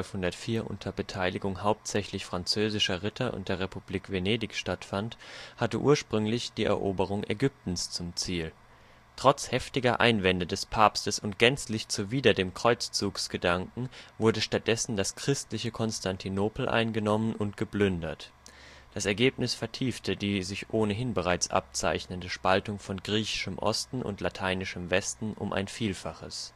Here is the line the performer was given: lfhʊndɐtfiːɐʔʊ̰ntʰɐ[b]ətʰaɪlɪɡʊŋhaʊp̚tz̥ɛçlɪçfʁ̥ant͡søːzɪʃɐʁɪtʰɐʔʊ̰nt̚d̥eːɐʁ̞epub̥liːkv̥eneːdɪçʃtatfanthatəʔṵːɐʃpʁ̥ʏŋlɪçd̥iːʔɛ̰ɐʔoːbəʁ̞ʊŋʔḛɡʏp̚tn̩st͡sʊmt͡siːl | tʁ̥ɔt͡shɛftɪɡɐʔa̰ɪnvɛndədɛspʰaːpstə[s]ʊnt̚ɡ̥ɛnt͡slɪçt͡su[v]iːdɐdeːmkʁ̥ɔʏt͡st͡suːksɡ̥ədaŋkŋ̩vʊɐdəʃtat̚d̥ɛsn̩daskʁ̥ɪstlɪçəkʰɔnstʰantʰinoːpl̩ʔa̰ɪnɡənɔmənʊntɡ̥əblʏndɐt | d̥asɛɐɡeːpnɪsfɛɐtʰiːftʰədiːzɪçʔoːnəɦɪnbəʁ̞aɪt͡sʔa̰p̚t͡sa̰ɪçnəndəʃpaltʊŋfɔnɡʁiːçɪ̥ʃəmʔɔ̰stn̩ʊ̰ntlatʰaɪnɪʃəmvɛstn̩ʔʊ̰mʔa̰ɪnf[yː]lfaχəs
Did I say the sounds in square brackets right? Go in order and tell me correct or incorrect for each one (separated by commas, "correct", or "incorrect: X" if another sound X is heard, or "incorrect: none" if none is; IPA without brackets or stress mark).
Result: correct, correct, correct, incorrect: iː